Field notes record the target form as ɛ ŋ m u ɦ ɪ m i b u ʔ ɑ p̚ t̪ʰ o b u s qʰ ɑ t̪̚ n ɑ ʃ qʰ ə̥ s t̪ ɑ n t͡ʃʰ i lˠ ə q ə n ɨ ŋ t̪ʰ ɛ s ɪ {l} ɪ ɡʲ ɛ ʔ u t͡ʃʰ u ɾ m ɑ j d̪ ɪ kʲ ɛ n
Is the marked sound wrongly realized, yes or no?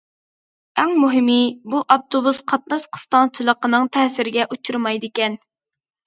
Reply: yes